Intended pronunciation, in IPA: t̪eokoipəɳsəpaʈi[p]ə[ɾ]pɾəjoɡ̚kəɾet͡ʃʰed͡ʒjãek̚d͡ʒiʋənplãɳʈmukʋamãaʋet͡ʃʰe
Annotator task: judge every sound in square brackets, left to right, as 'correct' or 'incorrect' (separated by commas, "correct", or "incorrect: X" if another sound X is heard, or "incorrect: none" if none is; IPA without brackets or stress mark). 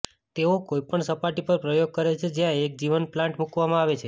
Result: correct, correct